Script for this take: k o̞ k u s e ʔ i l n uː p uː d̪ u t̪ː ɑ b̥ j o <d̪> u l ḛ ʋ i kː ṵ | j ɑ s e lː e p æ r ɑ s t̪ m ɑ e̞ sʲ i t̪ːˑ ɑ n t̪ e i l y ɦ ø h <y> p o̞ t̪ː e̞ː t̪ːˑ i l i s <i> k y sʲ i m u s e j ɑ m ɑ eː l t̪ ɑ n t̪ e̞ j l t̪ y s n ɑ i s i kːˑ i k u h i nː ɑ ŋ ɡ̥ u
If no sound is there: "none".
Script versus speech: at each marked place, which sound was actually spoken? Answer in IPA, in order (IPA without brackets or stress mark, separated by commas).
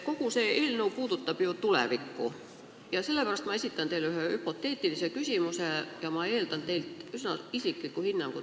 t̪, y, e